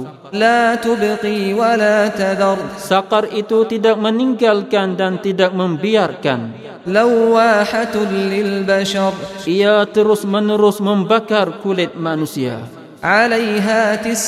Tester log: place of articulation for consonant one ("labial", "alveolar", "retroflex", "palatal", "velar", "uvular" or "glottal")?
alveolar